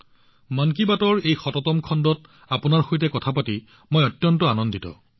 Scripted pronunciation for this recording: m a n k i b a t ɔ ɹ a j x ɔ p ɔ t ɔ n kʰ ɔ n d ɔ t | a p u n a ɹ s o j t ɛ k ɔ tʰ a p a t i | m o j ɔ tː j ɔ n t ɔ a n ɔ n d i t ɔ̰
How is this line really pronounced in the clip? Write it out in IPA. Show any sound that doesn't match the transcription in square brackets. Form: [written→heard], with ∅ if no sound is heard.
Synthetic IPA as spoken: m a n k i b a t ɔ ɹ [a→e] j x ɔ [p→t] ɔ t ɔ [n→m] kʰ ɔ n d ɔ t | a p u n a ɹ [s→x] o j t ɛ k ɔ tʰ a p a t i | m o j ɔ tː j ɔ n t ɔ a n ɔ n d i t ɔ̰